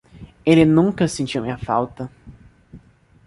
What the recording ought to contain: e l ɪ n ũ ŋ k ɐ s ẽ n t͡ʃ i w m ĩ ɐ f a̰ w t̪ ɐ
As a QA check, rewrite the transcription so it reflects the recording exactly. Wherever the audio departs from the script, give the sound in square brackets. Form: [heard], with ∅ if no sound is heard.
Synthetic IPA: e l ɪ n ũ ŋ k ɐ s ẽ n t͡ʃ i w m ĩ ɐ f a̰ w t̪ ɐ